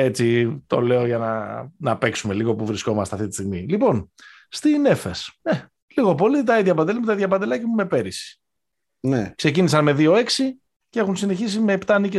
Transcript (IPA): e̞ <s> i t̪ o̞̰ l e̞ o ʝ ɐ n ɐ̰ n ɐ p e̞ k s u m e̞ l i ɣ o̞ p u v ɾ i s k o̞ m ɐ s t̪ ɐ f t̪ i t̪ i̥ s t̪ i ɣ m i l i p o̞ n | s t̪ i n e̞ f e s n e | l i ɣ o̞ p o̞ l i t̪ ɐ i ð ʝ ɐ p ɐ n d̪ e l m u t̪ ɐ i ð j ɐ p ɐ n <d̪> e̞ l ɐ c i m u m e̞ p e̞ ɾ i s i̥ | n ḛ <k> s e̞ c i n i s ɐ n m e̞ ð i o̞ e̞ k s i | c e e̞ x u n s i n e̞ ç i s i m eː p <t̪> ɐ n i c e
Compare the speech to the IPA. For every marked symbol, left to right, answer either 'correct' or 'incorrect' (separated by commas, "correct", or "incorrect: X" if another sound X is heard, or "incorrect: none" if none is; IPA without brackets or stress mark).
incorrect: t͡s, correct, correct, correct